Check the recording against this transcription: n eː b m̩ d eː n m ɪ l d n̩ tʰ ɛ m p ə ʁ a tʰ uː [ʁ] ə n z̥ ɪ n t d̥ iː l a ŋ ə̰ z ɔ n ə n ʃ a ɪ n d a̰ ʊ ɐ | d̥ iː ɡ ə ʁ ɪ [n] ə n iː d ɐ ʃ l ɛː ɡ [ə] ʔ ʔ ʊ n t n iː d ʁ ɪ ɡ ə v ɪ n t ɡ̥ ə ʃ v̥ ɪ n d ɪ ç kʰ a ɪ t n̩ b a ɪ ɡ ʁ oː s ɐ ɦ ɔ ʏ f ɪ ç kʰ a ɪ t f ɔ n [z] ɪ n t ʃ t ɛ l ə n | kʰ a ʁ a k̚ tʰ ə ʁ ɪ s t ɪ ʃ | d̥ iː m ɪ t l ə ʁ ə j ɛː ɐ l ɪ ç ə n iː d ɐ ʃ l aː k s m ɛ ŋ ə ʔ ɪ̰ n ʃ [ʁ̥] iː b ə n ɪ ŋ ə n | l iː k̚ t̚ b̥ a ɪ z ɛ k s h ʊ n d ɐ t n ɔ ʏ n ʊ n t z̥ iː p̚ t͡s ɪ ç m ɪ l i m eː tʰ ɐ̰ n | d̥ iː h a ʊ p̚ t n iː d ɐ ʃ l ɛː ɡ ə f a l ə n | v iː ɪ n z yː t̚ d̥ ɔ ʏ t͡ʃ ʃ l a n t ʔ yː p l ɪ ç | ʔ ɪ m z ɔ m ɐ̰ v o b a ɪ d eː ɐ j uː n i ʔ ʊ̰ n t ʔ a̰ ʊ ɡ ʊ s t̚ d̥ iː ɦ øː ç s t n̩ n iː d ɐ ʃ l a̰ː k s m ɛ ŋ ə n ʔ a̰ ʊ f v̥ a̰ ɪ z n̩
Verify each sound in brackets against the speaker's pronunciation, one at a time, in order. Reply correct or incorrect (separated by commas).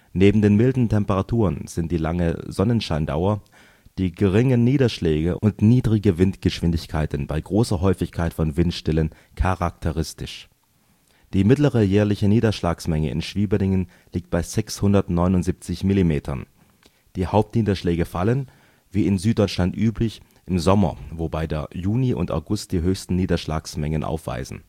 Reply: correct, incorrect, correct, incorrect, incorrect